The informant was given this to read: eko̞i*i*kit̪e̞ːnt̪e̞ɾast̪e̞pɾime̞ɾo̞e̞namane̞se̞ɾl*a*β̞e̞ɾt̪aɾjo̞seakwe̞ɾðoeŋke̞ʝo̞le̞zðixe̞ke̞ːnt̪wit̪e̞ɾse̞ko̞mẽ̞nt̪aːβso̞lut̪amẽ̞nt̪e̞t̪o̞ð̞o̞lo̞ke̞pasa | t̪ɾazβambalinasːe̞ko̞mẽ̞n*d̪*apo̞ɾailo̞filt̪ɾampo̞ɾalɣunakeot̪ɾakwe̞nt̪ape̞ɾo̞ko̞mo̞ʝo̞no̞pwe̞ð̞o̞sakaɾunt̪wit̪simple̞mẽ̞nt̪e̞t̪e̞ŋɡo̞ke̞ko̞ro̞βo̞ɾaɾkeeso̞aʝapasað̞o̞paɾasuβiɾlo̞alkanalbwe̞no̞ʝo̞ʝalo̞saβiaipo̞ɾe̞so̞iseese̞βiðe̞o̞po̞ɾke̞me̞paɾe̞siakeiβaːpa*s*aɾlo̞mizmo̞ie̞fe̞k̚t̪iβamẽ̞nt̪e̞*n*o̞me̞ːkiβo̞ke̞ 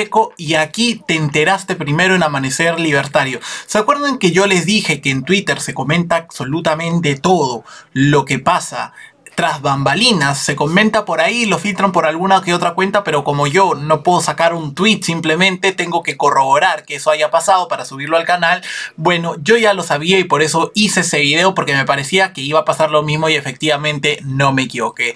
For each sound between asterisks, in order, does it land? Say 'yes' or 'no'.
no, no, no, yes, yes

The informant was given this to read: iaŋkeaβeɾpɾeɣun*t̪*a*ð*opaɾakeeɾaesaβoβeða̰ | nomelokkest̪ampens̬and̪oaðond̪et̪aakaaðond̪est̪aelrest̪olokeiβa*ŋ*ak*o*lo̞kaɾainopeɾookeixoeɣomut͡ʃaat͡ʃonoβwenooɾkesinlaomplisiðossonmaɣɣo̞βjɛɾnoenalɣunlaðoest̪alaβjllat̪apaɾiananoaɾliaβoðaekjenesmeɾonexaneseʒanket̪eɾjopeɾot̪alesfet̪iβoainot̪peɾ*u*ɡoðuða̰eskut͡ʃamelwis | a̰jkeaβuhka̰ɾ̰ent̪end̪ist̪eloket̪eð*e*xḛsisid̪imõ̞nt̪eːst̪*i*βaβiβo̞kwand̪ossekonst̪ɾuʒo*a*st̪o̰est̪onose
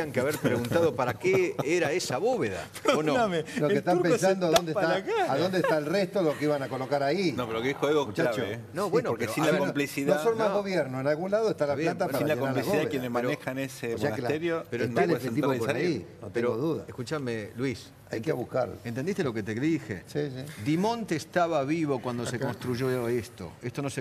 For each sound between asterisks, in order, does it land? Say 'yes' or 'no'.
yes, yes, no, yes, no, no, no, no

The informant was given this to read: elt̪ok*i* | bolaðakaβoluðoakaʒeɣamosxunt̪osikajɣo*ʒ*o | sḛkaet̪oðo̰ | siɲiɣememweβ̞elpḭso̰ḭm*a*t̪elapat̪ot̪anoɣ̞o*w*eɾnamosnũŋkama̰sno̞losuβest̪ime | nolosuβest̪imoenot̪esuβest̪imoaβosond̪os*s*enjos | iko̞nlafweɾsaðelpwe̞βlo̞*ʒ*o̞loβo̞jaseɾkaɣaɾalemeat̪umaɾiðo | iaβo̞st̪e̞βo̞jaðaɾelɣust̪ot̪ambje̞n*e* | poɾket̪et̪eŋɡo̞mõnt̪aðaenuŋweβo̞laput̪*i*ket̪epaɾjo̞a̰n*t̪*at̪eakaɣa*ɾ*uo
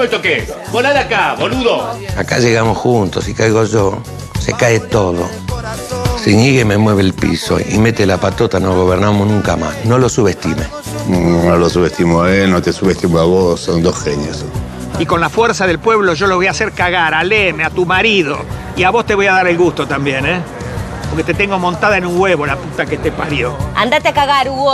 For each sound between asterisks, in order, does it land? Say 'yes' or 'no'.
no, yes, no, no, no, yes, yes, no, no, yes

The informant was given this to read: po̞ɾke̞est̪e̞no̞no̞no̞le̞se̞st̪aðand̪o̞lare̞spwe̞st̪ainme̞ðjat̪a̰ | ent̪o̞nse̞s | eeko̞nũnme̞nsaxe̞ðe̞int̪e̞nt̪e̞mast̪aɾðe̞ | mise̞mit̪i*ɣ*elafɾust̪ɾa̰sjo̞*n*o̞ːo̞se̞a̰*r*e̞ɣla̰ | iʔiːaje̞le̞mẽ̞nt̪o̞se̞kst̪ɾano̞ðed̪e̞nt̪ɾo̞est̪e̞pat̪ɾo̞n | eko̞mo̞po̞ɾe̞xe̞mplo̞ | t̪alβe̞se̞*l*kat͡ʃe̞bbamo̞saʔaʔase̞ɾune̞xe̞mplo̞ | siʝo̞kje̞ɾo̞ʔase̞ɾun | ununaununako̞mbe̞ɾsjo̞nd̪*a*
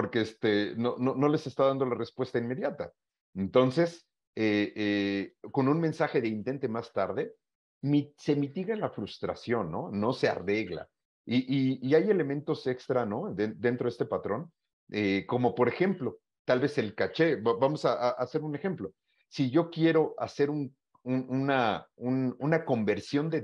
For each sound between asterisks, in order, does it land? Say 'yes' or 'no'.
yes, no, yes, yes, no

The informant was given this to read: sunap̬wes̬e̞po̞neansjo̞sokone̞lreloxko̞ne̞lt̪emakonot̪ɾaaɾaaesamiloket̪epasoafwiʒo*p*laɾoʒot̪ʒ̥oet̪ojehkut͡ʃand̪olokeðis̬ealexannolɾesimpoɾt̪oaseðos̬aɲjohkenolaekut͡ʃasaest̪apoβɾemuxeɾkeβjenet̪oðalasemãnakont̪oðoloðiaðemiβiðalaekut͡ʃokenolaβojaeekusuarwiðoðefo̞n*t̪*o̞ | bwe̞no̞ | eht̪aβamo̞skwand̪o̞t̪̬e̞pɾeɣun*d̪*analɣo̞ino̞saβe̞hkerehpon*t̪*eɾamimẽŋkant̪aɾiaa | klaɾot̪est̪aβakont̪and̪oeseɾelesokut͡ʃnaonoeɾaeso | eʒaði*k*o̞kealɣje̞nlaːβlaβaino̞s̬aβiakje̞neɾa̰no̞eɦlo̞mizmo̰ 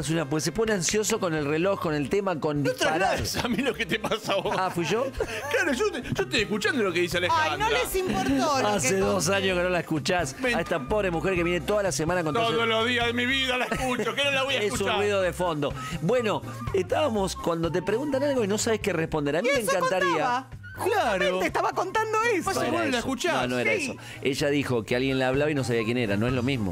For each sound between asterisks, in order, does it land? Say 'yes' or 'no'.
no, no, no, no, no

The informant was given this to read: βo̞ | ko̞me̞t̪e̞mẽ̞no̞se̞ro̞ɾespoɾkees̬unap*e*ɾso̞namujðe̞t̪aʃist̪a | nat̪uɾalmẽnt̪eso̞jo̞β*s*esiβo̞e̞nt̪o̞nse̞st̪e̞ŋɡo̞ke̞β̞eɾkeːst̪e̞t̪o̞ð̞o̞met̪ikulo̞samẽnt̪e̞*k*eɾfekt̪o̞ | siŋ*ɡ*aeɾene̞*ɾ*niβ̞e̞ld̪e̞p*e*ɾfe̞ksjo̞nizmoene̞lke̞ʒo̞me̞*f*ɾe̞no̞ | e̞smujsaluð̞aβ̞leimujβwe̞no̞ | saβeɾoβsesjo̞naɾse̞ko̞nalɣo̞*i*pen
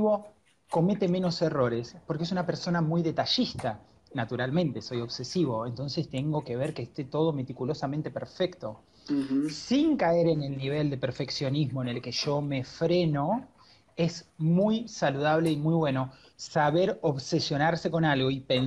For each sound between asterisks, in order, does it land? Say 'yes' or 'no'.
yes, yes, no, no, no, yes, yes, yes

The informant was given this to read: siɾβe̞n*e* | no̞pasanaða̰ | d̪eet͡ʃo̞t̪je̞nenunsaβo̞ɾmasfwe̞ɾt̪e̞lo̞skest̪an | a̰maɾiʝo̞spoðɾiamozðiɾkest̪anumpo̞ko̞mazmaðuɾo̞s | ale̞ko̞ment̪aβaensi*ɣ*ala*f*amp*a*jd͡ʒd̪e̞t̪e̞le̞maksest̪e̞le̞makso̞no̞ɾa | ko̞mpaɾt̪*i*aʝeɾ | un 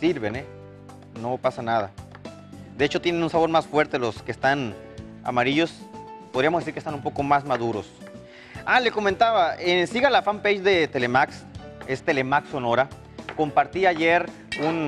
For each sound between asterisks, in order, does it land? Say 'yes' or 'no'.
yes, yes, yes, no, yes

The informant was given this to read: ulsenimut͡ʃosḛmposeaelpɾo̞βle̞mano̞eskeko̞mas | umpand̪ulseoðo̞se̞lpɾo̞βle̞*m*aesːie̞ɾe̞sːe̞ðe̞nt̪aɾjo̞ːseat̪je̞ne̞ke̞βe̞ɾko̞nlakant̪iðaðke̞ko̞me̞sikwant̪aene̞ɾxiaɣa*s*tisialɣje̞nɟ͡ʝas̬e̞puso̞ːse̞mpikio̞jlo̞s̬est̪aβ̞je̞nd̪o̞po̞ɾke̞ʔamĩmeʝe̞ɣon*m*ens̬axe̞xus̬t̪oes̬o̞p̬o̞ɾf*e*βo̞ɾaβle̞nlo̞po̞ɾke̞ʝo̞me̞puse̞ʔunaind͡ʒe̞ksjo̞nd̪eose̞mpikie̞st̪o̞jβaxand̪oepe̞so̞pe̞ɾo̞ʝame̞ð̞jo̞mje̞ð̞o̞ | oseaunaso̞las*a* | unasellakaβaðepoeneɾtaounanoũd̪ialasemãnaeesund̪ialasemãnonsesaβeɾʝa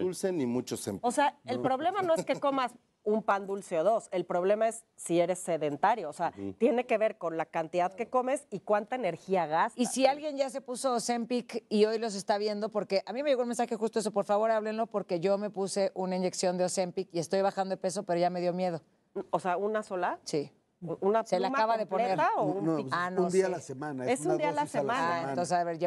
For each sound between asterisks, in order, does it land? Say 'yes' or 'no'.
yes, yes, yes, no, no

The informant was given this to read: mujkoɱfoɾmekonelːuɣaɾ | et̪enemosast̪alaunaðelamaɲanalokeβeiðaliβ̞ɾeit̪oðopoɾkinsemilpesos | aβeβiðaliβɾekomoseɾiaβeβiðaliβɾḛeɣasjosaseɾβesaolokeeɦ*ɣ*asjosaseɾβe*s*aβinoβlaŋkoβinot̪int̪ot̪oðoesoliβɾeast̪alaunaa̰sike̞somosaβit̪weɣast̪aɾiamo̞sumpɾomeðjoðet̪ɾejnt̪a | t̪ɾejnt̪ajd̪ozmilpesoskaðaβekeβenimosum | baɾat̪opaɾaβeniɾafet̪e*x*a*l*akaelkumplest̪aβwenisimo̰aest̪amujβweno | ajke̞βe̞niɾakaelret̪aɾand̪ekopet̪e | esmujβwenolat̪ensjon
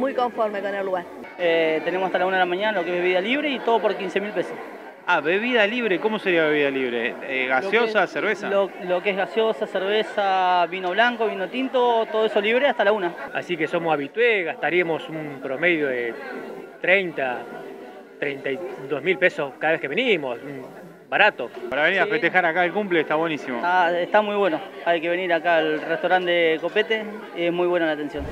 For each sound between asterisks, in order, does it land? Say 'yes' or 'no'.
yes, yes, yes, no

